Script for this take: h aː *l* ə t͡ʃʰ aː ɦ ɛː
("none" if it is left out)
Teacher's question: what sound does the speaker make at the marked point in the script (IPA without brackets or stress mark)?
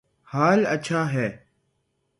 l